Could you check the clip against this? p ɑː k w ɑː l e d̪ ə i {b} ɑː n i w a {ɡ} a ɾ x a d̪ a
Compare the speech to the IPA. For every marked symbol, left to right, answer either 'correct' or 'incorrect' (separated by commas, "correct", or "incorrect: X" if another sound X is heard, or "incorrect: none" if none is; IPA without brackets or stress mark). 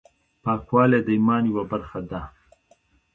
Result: incorrect: m, incorrect: b